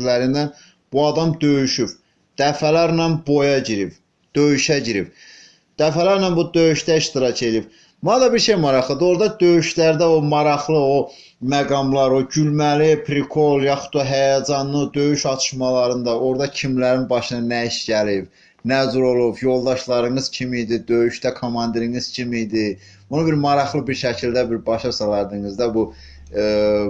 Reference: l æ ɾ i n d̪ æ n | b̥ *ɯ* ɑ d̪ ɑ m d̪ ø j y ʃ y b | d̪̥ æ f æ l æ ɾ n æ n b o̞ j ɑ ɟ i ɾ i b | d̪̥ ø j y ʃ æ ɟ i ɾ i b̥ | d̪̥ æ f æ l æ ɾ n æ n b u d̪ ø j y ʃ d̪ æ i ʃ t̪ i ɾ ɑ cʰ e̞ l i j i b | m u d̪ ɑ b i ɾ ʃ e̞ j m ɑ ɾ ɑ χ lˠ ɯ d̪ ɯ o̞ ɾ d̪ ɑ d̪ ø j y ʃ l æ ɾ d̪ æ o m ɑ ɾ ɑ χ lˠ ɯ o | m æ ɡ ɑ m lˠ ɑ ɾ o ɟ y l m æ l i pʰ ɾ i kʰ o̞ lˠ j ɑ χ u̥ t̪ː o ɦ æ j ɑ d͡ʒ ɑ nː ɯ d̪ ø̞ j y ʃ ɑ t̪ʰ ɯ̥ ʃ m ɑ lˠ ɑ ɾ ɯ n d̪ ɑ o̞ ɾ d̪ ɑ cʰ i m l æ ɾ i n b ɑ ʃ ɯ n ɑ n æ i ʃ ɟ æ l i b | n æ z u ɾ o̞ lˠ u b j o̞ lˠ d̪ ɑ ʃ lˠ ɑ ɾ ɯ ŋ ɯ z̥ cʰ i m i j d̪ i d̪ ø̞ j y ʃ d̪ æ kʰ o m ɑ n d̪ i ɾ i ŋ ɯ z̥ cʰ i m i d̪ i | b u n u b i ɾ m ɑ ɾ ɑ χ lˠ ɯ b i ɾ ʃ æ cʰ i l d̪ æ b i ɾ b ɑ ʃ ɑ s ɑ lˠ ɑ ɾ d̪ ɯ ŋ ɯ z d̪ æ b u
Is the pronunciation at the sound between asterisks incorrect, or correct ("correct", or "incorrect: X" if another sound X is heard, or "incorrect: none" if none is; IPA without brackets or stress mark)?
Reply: incorrect: u